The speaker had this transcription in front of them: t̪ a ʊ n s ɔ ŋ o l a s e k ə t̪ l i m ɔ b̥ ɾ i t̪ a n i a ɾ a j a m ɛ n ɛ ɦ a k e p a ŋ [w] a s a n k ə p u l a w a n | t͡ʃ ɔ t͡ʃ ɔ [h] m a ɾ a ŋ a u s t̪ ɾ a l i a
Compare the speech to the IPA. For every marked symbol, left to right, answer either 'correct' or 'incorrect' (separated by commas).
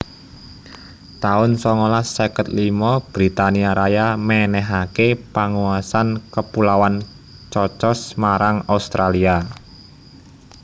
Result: incorrect, incorrect